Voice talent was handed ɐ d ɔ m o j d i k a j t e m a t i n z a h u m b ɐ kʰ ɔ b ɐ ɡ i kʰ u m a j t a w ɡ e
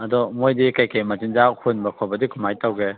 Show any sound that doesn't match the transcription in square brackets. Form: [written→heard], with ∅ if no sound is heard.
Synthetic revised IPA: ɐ d ɔ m o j d i k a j [t→k] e m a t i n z a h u [m→n] b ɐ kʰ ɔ b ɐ [ɡ→d] i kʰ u m a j t a w ɡ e